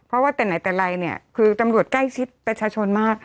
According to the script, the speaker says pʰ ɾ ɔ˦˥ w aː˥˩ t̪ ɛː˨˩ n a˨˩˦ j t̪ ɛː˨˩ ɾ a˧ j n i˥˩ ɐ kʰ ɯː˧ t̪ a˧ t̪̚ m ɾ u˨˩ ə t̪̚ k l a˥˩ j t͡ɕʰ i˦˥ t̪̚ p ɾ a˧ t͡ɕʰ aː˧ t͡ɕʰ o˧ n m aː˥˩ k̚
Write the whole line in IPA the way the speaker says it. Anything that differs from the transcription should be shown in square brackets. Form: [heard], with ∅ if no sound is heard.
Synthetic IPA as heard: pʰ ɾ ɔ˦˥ w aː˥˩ t̪ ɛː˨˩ n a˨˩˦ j t̪ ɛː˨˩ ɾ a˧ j n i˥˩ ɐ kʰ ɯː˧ t̪ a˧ [∅] m ɾ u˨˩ ə t̪̚ k l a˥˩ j t͡ɕʰ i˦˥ t̪̚ p ɾ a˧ t͡ɕʰ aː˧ t͡ɕʰ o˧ n m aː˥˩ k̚